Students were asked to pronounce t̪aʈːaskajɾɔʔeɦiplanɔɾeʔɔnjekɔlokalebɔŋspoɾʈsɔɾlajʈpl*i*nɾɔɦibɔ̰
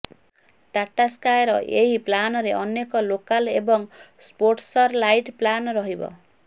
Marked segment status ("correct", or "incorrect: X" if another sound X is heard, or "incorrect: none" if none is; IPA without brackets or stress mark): incorrect: a